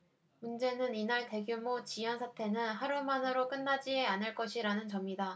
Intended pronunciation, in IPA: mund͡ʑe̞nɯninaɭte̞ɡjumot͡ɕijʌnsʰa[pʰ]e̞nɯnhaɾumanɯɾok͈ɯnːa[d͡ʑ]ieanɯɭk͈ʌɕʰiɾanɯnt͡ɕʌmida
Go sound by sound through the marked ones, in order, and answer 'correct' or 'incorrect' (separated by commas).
incorrect, correct